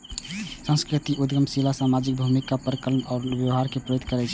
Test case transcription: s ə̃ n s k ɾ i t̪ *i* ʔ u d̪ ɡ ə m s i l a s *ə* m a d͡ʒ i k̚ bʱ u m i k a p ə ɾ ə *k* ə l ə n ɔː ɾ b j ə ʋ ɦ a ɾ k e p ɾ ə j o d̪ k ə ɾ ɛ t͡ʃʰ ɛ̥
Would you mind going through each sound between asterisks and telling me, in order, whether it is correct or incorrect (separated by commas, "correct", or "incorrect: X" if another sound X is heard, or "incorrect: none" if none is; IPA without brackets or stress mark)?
correct, incorrect: a, correct